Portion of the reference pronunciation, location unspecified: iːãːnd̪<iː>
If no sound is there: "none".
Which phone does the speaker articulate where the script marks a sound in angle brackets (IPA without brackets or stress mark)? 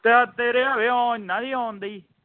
iː